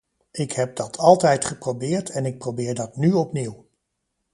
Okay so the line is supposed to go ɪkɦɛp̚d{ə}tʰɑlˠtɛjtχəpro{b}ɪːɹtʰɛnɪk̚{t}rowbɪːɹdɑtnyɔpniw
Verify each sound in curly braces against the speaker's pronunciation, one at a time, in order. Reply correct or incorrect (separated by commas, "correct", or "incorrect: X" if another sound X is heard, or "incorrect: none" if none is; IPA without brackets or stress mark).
incorrect: ɑ, correct, incorrect: p